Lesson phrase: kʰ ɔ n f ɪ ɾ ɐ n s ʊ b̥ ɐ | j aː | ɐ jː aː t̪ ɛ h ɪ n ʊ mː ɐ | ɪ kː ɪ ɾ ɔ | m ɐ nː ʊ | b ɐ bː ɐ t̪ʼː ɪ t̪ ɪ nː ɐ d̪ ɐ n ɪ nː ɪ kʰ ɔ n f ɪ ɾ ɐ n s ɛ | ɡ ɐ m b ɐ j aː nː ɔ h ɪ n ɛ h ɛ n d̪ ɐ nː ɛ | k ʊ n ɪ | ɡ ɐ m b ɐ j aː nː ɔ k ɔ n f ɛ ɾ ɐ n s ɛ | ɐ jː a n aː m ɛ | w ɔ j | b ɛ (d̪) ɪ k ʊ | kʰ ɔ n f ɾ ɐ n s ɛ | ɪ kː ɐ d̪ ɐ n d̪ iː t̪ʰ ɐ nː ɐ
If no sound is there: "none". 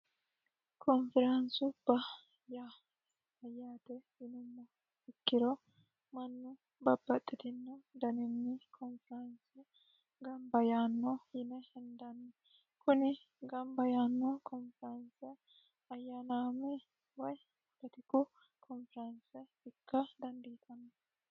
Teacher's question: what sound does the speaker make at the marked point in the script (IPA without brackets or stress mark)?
t̪